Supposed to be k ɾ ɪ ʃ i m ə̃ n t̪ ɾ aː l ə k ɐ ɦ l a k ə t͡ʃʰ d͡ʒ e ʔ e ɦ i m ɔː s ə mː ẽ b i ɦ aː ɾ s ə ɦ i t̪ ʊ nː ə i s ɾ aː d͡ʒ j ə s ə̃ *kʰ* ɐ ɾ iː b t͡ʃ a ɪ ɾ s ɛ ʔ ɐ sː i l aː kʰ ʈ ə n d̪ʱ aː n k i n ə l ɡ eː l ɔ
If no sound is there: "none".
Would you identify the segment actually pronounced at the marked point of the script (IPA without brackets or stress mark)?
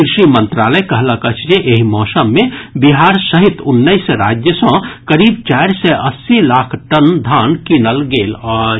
k